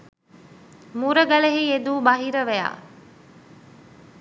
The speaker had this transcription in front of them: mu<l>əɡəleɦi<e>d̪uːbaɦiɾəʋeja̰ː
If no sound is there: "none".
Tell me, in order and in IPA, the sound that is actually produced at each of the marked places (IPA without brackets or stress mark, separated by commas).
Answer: ɾ, e